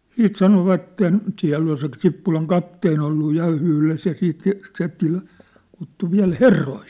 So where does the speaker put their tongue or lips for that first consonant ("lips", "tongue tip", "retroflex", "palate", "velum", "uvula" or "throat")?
tongue tip